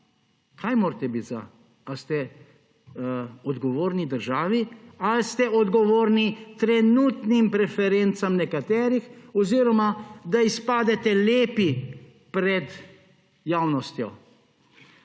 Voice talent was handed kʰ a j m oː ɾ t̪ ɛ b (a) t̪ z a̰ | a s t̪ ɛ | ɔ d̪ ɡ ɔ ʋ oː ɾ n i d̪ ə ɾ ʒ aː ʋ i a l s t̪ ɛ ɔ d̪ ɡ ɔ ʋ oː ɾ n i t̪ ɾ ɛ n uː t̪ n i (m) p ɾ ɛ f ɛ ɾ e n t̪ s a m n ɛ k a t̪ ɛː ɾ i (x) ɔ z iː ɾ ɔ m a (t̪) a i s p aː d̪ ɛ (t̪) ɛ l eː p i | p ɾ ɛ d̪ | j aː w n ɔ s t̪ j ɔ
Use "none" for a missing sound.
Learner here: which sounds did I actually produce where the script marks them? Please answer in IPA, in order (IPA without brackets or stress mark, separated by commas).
i, m, x, d̪, t̪